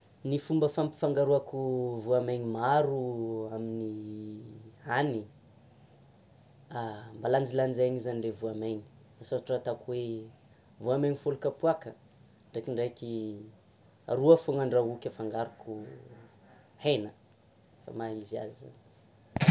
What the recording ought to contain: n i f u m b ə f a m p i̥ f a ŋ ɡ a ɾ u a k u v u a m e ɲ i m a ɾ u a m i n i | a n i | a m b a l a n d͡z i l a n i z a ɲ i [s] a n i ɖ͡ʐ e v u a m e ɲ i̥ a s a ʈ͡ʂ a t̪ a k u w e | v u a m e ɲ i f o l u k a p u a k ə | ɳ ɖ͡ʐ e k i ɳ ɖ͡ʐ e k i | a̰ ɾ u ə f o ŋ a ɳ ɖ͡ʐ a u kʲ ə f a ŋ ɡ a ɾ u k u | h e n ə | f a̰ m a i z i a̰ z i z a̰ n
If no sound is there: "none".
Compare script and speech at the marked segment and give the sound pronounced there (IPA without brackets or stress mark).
z